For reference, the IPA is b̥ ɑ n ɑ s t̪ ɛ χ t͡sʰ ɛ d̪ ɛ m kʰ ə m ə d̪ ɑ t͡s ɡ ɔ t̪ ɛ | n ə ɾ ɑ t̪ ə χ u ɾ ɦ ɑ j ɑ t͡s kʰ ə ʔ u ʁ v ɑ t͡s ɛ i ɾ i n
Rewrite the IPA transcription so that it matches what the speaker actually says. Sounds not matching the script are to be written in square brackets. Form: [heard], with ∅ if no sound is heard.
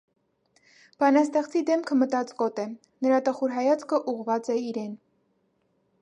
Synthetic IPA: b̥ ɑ n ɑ s t̪ ɛ χ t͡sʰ [i] d̪ ɛ m kʰ ə m ə [t̪] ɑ t͡s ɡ ɔ t̪ ɛ | n ə ɾ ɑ t̪ ə χ u ɾ ɦ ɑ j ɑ t͡s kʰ ə ʔ u ʁ v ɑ t͡s ɛ i ɾ [ɛ] n